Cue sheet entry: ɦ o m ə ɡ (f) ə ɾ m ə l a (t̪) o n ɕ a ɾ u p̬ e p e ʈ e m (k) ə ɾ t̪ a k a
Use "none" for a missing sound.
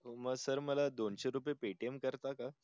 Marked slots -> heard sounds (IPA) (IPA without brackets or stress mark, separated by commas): s, d̪, k